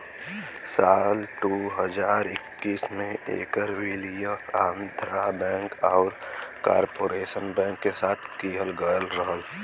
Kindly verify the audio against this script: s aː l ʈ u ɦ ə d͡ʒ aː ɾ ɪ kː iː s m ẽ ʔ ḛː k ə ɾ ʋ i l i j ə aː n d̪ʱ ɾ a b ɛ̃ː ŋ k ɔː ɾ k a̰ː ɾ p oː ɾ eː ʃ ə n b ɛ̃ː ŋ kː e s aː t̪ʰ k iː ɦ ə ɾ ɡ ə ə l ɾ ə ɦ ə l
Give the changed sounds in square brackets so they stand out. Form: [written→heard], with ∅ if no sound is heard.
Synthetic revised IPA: s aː l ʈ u ɦ ə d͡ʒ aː ɾ ɪ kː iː s m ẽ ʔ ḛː k ə ɾ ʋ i l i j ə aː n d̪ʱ ɾ a b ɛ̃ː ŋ k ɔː ɾ k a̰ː ɾ p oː ɾ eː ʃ ə n b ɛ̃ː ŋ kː e s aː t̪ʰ k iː ɦ ə [ɾ→l] ɡ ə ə l ɾ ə ɦ ə l